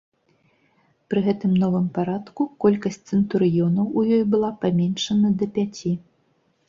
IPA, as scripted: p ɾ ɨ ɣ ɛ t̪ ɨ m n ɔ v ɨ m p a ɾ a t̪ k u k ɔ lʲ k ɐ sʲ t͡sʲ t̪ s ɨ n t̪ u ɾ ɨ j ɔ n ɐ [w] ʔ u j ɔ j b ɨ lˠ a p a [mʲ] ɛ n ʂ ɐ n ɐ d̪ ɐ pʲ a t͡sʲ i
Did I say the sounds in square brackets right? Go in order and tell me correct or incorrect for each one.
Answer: correct, correct

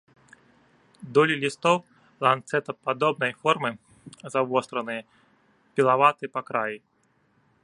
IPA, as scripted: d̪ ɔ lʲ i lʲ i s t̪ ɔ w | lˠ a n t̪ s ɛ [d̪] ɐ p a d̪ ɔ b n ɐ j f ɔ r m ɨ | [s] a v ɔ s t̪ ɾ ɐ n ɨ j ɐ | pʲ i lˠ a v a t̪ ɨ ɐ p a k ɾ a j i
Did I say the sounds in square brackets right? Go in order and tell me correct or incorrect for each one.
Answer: incorrect, incorrect

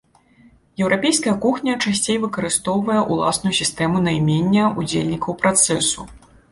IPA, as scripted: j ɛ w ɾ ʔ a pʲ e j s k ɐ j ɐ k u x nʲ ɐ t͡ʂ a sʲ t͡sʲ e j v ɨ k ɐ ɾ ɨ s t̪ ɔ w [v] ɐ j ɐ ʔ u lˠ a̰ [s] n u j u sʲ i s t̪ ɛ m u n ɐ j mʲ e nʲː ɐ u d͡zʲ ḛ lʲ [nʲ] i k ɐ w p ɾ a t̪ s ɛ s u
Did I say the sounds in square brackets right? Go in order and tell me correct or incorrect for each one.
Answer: correct, correct, correct

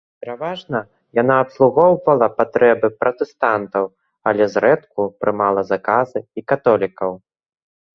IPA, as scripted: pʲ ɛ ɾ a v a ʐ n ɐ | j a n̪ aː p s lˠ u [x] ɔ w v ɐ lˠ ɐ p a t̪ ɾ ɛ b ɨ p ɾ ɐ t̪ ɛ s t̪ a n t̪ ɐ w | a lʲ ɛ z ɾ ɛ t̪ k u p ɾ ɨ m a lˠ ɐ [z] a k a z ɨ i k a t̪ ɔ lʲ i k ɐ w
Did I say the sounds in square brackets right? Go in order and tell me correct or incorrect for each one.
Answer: incorrect, correct

